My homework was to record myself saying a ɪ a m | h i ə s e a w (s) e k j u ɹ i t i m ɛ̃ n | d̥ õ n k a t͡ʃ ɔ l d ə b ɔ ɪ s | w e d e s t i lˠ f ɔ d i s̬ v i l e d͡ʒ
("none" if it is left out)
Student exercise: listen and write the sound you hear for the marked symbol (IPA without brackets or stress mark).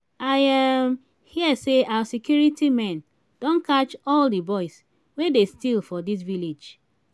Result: s